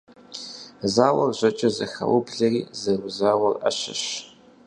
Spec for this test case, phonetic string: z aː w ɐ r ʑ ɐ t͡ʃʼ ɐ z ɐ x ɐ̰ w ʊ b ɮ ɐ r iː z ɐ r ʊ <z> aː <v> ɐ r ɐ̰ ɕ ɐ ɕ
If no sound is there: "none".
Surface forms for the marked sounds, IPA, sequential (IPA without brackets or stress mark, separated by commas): z, w